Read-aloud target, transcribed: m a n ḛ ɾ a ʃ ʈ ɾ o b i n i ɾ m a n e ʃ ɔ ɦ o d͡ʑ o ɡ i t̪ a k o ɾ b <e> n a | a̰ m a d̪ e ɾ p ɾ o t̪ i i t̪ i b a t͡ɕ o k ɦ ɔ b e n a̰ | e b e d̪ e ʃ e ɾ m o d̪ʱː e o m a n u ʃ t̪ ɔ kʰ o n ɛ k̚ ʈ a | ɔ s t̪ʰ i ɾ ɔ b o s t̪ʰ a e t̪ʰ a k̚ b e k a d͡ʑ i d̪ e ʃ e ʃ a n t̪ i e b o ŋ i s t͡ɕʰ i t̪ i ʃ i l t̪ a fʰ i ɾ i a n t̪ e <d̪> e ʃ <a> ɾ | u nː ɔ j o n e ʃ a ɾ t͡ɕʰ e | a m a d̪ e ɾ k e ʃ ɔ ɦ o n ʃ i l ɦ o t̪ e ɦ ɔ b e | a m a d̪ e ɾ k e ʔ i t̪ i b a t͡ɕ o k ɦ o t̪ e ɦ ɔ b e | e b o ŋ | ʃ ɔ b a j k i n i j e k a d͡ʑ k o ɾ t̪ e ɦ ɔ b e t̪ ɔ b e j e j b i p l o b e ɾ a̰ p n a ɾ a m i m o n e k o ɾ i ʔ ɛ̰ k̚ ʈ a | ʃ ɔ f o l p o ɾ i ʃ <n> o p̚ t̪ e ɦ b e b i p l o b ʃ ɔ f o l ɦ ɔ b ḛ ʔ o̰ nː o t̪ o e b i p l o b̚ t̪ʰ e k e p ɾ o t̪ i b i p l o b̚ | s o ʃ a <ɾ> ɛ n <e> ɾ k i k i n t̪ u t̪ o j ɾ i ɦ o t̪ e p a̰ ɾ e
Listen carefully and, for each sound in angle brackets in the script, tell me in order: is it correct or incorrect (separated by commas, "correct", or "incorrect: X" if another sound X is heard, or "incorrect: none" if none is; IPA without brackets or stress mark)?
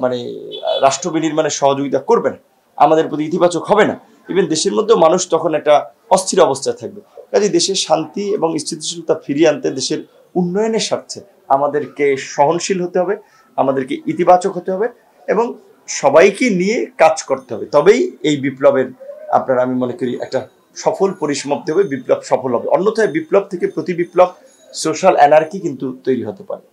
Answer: correct, correct, incorrect: e, incorrect: m, incorrect: l, incorrect: a